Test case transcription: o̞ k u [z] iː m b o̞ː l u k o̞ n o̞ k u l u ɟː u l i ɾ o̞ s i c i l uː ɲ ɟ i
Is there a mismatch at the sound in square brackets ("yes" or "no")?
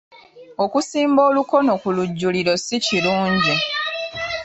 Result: yes